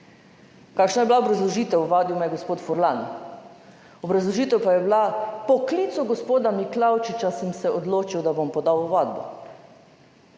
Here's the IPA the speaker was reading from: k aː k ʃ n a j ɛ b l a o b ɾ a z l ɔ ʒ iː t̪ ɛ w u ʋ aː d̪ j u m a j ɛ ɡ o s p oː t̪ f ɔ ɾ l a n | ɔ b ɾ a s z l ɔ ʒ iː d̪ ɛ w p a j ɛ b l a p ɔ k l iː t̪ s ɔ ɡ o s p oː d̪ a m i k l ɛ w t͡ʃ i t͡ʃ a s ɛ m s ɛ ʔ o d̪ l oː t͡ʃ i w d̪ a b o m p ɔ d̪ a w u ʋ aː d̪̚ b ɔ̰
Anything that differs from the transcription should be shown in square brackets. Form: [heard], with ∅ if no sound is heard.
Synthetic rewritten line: k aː k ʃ n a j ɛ b l a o b ɾ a z l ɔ ʒ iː t̪ ɛ w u ʋ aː d̪ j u m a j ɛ ɡ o s p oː t̪ f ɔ ɾ l a n | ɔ b ɾ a [∅] z l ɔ ʒ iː [t̪] ɛ w p a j ɛ b l a p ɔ k l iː t̪ s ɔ ɡ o s p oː d̪ a m i k l [a] w t͡ʃ i t͡ʃ a s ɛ m s ɛ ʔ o d̪ l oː t͡ʃ i w d̪ a b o m p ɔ d̪ a w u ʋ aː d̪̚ b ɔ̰